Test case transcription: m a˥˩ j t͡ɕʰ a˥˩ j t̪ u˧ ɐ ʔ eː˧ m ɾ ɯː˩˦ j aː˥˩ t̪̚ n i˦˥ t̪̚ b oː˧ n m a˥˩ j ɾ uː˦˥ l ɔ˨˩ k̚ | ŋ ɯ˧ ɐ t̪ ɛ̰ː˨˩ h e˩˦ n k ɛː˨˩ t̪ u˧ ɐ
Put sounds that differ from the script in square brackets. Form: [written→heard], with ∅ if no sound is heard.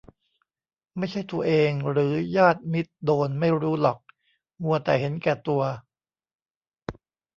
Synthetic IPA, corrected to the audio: m a˥˩ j t͡ɕʰ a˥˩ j t̪ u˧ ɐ ʔ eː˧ [m→ŋ] ɾ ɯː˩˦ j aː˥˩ t̪̚ [n→m] i˦˥ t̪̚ [b→d] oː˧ n m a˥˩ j ɾ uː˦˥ l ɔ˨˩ k̚ | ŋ [ɯ˧→u˧] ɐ t̪ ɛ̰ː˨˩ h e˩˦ n k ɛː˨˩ t̪ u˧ ɐ